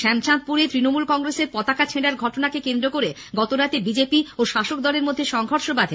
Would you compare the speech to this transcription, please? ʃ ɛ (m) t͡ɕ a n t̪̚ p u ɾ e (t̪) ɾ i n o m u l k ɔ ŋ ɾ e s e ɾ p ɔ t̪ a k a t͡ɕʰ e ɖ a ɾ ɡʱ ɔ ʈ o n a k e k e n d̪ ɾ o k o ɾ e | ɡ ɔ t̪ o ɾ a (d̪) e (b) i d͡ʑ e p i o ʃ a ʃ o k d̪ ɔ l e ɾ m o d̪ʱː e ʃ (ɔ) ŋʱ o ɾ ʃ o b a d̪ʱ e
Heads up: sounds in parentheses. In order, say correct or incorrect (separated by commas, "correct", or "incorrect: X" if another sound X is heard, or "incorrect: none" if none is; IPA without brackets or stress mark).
correct, correct, incorrect: t̪, correct, correct